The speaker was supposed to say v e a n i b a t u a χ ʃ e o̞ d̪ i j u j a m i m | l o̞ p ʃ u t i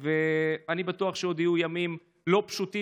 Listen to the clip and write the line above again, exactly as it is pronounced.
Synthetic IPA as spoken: v e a n i b a t u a χ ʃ e o̞ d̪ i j u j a m i m | l o̞ p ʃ u t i